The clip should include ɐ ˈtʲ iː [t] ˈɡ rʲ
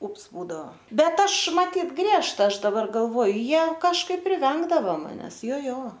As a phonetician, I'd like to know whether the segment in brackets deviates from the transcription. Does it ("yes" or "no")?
no